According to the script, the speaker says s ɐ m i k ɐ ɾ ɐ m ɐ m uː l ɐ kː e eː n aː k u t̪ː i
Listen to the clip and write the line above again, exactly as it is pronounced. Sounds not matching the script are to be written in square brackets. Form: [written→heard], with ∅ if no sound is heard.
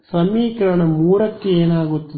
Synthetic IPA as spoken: s ɐ m [i→iː] k ɐ ɾ ɐ [m→ɳ] ɐ m uː [l→ɾ] ɐ kː e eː n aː [k→ɡ] u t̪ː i

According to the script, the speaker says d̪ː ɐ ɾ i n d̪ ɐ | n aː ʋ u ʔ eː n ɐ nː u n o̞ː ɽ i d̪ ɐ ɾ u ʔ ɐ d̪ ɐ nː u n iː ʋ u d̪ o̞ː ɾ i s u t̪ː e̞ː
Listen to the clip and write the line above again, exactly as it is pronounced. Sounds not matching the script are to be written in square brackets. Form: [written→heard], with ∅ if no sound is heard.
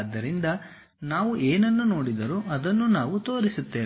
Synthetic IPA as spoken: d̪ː ɐ ɾ i n d̪ ɐ | n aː ʋ u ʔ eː n ɐ nː u n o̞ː ɽ i d̪ ɐ ɾ u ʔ ɐ d̪ ɐ nː u n [iː→aː] ʋ u [d̪→t̪] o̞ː ɾ i s u t̪ː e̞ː

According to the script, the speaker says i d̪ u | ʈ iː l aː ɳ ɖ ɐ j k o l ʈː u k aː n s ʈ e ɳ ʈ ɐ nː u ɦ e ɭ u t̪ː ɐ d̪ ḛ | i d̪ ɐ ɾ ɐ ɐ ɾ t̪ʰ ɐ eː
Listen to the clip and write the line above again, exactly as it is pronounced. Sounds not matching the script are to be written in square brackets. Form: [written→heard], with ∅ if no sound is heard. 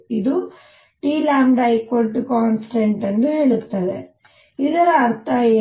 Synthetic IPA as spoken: i d̪ u | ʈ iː l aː [ɳ→m] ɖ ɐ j k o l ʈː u k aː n s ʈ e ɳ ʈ ɐ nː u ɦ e ɭ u t̪ː ɐ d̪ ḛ | i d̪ ɐ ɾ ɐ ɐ ɾ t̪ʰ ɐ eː

